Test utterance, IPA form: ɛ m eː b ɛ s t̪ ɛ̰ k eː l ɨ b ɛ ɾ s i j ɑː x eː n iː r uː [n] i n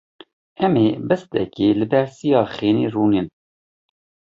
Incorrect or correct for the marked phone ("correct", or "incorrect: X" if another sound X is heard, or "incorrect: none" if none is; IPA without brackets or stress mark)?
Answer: correct